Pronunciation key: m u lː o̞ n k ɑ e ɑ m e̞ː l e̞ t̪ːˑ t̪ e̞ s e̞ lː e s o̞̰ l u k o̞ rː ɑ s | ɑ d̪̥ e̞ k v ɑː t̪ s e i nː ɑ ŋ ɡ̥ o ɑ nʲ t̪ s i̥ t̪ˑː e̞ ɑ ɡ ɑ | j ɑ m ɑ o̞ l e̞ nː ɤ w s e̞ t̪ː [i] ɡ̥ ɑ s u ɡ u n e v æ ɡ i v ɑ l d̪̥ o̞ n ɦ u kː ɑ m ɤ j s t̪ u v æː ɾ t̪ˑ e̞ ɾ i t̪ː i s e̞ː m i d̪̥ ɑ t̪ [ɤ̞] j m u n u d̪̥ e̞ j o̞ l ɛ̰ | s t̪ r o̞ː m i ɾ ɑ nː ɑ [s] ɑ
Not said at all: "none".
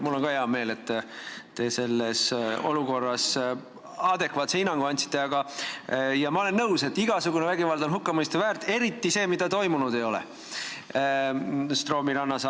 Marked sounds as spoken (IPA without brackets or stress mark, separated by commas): i, o̞, s